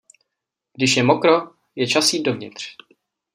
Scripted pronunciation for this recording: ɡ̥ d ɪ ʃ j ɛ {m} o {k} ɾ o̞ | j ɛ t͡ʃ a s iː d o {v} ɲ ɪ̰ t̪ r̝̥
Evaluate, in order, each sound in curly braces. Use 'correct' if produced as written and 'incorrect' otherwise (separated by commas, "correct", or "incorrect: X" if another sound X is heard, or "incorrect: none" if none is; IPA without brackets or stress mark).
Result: correct, correct, correct